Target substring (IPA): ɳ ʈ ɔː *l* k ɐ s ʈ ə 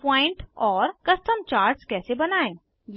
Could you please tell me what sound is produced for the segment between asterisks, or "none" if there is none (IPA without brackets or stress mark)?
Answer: ɾ